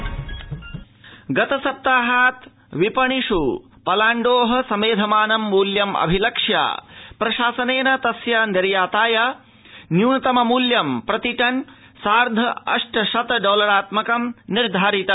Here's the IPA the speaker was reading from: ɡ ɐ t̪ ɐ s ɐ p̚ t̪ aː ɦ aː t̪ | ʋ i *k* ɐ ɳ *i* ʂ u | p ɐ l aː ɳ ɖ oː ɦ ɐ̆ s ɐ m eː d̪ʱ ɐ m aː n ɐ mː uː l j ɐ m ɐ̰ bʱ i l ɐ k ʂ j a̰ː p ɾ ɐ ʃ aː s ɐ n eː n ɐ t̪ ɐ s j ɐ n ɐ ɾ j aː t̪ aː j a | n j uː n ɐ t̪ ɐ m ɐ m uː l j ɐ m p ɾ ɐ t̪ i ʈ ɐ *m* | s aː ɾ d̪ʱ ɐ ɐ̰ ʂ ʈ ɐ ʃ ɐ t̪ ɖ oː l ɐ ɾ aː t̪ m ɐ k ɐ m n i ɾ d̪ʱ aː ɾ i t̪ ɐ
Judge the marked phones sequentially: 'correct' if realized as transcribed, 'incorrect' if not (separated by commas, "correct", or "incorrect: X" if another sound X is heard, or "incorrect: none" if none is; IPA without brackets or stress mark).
incorrect: p, correct, incorrect: n